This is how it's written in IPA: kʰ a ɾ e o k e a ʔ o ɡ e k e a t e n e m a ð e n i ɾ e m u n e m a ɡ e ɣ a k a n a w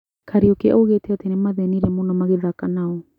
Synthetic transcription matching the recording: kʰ a ɾ i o k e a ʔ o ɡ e t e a t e n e m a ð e n i ɾ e m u n a m a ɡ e ð a k a n a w